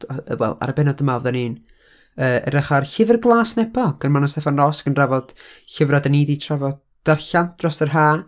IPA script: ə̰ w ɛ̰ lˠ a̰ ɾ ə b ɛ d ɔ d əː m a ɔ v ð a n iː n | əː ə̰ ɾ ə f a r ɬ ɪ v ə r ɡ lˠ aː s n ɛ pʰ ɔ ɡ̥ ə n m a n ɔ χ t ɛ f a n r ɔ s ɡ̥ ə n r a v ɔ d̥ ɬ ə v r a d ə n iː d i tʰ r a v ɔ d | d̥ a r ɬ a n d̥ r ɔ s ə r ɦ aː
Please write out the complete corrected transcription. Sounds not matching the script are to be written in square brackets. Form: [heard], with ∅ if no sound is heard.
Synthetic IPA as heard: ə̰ w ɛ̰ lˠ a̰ ɾ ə b ɛ [n] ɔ d [ə] m a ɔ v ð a n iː n | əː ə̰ ɾ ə [χ] a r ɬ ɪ v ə r ɡ lˠ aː s n ɛ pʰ ɔ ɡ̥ ə n m a n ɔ [s] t ɛ f a n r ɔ s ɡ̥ ə n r a v ɔ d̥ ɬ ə v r a d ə n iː d i tʰ r a v ɔ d | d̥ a r ɬ a n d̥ r ɔ s ə r ɦ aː